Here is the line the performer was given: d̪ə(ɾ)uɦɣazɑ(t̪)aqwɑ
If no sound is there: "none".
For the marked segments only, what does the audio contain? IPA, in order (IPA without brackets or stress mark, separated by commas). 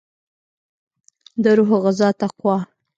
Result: ɾ, t̪